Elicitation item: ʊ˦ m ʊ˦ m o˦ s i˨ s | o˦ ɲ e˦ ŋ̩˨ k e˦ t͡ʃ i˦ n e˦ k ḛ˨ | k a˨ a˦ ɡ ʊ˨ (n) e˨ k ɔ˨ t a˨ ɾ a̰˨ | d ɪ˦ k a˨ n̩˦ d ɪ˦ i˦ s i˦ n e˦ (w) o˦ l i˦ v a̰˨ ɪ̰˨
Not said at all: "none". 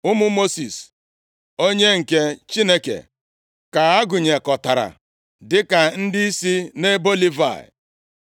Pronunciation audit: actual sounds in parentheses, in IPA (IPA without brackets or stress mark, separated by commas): ɲ, b